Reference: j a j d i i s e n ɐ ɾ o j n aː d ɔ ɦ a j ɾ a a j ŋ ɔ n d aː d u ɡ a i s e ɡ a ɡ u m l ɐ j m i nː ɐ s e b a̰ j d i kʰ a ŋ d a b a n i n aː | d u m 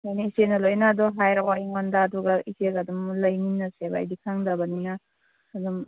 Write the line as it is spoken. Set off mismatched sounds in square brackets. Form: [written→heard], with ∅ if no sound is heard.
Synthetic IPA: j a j [d→n] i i s e n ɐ [ɾ→l] o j n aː d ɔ ɦ a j ɾ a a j ŋ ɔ n d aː d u ɡ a i s e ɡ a [ɡ→d] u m l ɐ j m i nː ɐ s e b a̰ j d i kʰ a ŋ d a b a n i n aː | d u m